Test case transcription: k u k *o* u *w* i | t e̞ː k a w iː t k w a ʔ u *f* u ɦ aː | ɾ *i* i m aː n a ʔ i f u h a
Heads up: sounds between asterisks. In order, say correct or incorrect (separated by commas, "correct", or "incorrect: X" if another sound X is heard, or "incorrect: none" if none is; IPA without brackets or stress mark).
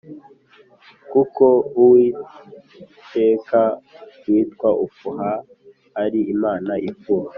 correct, correct, correct, correct